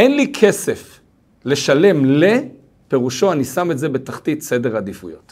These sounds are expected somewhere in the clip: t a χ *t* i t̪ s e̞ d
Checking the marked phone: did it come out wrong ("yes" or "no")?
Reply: no